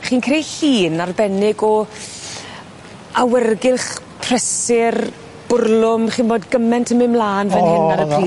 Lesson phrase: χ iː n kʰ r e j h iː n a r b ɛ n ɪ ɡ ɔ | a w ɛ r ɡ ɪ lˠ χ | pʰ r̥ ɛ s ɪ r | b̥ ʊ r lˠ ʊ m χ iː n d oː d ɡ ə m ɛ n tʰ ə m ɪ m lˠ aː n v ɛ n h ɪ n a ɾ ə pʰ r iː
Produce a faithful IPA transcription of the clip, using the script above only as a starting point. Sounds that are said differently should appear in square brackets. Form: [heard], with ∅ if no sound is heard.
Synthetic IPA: χ iː n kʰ r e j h iː n a r b ɛ n ɪ ɡ ɔ | a w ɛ r ɡ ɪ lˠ χ | pʰ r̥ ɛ s ɪ r | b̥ ʊ r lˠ ʊ m χ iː n [b] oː d ɡ ə m ɛ n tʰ ə m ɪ m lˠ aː n v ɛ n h ɪ n a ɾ ə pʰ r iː